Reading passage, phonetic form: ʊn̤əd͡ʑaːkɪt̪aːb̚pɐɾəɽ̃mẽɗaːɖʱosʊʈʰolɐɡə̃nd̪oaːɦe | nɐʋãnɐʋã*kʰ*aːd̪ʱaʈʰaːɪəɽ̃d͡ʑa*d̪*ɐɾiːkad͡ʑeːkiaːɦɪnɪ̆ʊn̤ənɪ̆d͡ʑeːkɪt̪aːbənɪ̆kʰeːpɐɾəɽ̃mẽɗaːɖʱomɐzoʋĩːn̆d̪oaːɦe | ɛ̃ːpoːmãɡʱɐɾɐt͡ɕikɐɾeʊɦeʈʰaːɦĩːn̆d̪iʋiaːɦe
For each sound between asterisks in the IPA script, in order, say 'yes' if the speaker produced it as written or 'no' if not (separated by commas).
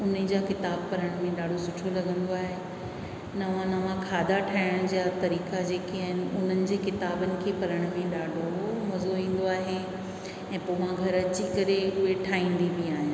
yes, no